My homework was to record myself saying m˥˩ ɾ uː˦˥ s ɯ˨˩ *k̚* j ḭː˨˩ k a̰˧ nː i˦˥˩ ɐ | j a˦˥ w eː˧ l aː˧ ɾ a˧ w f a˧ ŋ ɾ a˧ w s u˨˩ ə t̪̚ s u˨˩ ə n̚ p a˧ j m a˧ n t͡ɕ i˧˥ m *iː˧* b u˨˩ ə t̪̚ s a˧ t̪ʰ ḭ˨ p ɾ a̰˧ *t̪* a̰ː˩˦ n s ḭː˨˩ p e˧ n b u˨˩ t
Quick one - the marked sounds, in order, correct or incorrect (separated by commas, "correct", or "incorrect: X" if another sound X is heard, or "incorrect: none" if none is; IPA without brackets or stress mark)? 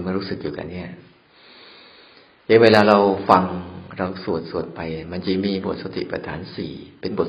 correct, correct, incorrect: t̪ʰ